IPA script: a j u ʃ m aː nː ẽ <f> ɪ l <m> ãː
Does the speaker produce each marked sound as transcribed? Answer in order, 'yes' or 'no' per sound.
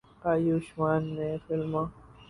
yes, yes

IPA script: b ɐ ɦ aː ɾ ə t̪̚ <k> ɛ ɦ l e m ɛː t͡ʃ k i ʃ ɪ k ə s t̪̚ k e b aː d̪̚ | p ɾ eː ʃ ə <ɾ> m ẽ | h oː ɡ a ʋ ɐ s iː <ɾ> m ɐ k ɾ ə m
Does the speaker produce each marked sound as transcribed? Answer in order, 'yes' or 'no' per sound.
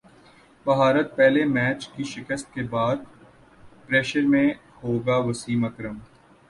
no, yes, no

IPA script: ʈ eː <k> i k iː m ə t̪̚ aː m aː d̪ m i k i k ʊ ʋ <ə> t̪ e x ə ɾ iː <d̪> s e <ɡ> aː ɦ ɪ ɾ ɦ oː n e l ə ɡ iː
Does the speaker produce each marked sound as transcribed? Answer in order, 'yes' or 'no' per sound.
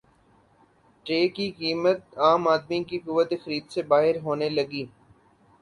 yes, yes, yes, no

